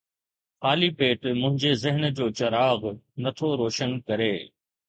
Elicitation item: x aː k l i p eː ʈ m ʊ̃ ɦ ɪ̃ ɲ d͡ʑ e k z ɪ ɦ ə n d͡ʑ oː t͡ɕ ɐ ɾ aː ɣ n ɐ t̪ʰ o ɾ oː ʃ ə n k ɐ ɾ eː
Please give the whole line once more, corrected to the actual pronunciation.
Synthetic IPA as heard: x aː l i p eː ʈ m ʊ̃ ɦ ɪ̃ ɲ d͡ʑ e z ɪ ɦ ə n d͡ʑ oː t͡ɕ ɐ ɾ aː ɣ n ɐ t̪ʰ o ɾ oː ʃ ə n k ɐ ɾ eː